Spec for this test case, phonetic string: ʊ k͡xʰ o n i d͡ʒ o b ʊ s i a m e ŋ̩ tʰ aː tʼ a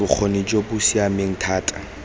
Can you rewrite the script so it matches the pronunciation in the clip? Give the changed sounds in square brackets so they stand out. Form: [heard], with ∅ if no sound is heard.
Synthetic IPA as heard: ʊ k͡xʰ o n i d͡ʒ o b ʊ s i a m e ŋ̩ tʰ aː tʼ a